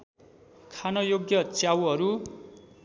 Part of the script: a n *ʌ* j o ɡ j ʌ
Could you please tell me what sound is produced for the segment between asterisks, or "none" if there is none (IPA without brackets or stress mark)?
ʌ